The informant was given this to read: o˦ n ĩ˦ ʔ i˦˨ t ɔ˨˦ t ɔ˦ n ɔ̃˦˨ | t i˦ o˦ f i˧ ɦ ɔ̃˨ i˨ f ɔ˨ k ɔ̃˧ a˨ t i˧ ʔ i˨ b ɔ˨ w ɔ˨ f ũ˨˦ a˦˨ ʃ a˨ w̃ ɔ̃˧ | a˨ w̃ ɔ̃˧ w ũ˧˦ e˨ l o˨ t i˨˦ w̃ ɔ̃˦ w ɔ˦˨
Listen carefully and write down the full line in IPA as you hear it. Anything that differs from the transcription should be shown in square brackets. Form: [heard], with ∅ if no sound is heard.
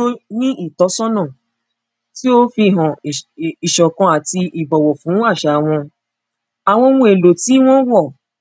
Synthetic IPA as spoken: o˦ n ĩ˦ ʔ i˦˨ t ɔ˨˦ [s] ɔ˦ n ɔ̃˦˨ | t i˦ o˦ f i˧ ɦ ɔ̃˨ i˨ [ʃ] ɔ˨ k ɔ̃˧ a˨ t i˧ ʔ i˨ b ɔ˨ w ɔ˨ f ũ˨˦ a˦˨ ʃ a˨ w̃ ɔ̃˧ | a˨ w̃ ɔ̃˧ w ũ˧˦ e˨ l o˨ t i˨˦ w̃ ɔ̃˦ w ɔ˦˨